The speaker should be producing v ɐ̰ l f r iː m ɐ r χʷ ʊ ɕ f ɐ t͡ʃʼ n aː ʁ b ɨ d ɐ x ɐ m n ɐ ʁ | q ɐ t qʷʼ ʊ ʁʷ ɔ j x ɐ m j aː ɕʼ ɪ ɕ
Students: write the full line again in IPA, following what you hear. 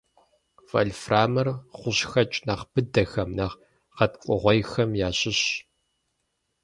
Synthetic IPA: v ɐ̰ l f r aː m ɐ r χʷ ʊ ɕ x ɐ t͡ʃʼ n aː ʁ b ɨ d ɐ x ɐ m n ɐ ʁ | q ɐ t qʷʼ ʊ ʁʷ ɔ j x ɐ m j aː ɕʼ ɪ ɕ

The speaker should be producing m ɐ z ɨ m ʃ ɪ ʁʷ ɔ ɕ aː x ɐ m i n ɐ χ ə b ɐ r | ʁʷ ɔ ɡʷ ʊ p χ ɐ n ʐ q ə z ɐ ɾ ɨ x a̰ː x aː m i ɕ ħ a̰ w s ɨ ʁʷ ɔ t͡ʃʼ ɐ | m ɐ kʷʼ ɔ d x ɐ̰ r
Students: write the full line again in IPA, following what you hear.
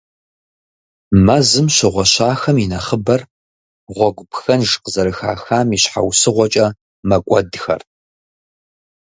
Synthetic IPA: m ɐ z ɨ m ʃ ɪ ʁʷ ɔ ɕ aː x ɐ m i n ɐ χ ə b ɐ r | ʁʷ ɔ ɡʷ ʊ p x ɐ n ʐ q ə z ɐ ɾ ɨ x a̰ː x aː m i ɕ ħ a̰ w s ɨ ʁʷ ɔ t͡ʃʼ ɐ | m ɐ kʷʼ ɔ d x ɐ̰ r

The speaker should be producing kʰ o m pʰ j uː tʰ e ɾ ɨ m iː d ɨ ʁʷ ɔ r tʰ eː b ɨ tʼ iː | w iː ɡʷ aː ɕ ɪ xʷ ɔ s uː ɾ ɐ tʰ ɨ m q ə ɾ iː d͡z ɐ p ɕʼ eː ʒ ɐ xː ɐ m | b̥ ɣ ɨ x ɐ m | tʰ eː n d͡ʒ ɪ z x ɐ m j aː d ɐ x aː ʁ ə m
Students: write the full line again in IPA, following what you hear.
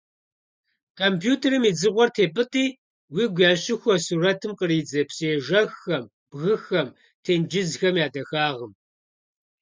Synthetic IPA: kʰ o m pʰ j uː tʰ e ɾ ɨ m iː d͡z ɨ ʁʷ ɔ r tʰ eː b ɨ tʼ iː | w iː ɡʷ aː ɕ ɪ xʷ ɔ s uː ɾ ɐ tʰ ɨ m q ə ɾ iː d͡z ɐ p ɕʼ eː ʒ ɐ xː ɐ m | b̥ ɣ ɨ x ɐ m | tʰ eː n d͡ʒ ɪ z x ɐ m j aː d ɐ x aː ʁ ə m

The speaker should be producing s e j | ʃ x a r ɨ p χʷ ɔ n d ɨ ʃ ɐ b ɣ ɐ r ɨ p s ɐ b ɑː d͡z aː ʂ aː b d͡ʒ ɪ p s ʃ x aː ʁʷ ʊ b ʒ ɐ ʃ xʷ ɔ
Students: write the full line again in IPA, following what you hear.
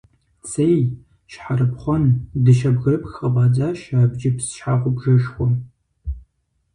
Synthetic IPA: s e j | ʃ ħ a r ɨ p χʷ ɔ n d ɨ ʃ ɐ b ɣ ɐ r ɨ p x ɐ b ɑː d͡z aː ʃ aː b d͡ʒ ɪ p s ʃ ħ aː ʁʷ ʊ b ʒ ɐ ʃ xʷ ɔ

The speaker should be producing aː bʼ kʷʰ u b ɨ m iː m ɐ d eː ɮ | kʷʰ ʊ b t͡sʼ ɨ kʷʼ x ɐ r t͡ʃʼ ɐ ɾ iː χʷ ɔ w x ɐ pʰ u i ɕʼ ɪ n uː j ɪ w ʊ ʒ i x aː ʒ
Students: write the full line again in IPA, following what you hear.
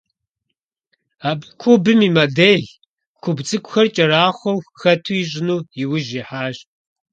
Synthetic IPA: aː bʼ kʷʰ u b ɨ m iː m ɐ d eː ɮ | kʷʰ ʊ b t͡sʼ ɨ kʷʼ x ɐ r t͡ʃʼ ɐ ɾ aː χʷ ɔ w x ɐ tʰ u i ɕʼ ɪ n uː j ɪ w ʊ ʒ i ħ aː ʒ

